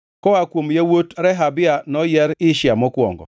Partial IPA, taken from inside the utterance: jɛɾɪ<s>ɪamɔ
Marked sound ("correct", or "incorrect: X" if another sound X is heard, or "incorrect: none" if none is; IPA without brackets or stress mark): incorrect: ʃ